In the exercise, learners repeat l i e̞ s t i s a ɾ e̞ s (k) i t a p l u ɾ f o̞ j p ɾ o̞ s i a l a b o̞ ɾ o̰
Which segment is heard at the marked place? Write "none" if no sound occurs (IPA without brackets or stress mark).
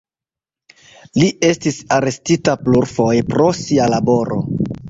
t